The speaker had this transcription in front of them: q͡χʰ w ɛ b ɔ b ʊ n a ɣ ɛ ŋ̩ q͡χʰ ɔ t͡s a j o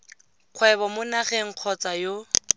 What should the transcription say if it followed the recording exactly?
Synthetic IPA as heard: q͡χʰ w ɛ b ɔ m ʊ n a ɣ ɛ ŋ̩ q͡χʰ ɔ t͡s a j o